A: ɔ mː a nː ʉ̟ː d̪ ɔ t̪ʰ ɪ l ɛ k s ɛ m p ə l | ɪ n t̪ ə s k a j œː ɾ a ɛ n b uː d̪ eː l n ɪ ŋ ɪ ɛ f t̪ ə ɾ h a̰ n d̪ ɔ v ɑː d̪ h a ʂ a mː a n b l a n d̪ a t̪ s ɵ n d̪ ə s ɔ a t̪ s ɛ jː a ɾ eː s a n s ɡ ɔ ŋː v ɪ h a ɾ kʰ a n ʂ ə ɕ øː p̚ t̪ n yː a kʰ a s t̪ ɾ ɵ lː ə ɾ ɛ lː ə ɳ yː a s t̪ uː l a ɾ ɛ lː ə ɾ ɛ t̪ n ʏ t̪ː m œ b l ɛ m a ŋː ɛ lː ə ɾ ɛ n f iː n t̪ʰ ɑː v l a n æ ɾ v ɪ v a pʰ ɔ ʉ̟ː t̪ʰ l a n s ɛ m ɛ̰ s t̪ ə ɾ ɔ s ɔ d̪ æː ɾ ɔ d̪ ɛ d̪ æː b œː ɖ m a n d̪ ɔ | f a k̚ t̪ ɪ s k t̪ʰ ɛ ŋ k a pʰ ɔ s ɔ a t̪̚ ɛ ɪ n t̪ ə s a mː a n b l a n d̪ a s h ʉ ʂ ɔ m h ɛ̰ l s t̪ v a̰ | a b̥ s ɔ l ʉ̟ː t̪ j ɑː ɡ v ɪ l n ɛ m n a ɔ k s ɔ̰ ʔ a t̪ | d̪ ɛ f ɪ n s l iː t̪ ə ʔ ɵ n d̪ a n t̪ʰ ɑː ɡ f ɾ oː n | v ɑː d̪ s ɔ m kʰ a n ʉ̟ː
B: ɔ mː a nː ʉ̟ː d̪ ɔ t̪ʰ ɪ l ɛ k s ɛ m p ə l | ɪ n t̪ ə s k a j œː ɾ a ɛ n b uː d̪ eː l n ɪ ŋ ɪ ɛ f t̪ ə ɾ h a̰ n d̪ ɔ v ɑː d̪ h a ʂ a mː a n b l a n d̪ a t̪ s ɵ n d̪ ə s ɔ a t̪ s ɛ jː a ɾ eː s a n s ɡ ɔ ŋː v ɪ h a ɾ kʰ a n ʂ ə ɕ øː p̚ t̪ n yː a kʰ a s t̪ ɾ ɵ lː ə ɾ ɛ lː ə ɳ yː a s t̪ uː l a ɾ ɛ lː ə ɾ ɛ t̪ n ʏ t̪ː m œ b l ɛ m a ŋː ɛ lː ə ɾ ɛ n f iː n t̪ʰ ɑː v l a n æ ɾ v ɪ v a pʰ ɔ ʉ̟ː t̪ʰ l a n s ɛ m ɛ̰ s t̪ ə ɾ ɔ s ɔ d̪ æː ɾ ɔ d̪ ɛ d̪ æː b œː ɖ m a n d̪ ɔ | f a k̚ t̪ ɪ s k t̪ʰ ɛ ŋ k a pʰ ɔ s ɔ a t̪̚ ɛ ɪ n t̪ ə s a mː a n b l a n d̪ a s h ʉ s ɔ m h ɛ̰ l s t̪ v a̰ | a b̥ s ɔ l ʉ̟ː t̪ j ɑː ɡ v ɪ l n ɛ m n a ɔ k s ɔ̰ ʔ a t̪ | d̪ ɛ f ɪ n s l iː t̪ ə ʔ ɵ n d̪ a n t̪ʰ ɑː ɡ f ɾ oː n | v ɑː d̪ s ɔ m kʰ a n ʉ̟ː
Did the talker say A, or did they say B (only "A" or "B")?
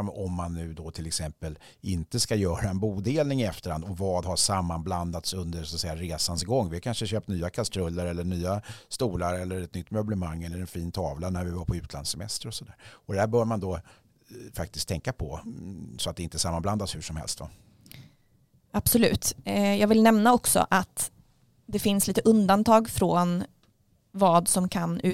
A